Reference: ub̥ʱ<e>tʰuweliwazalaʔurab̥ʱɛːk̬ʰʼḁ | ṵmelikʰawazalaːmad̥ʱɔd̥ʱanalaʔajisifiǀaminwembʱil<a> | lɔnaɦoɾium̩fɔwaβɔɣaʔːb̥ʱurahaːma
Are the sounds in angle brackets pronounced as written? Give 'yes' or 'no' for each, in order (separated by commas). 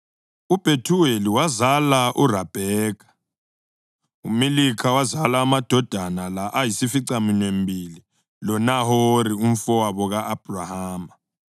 yes, no